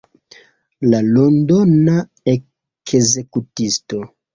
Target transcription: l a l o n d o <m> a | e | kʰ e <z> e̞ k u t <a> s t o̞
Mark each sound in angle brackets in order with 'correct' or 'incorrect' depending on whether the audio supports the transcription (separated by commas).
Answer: incorrect, correct, incorrect